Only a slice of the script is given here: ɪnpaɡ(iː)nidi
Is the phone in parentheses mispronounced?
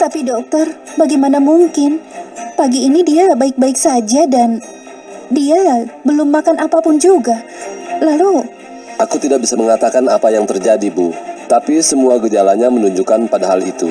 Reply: no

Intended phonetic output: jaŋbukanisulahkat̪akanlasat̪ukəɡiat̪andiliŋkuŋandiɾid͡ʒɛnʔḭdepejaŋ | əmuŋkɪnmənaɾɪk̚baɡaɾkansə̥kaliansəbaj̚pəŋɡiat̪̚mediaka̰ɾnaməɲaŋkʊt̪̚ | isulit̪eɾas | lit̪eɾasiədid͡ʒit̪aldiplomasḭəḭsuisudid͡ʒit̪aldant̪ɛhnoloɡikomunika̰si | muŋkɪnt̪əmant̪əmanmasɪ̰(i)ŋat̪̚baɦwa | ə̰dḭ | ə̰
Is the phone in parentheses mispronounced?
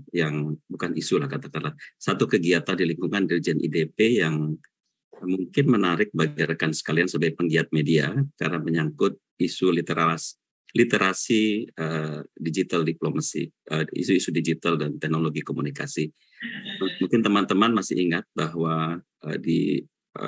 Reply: no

